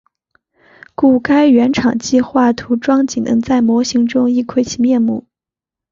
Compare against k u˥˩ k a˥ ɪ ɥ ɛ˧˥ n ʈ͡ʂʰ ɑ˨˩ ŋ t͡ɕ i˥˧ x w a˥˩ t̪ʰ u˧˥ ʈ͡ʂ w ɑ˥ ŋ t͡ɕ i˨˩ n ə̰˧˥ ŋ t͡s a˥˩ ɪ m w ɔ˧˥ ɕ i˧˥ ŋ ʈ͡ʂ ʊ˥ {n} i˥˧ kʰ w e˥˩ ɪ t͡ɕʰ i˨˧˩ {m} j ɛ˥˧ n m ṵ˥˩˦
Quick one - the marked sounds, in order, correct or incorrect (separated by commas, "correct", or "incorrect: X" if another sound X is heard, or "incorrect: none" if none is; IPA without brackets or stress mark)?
incorrect: ŋ, correct